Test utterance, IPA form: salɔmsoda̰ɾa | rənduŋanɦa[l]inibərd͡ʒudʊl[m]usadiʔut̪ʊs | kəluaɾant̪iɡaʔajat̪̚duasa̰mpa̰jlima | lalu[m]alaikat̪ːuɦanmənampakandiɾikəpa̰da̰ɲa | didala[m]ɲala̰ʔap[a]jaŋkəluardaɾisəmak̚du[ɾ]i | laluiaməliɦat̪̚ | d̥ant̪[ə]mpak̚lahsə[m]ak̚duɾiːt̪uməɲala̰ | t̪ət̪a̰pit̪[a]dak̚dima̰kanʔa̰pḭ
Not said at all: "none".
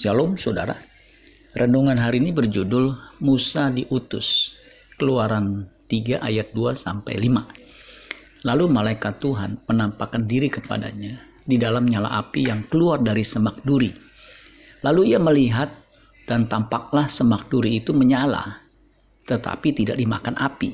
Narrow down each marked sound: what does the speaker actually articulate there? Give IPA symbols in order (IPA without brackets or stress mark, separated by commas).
ɾ, m, m, m, i, ɾ, a, m, i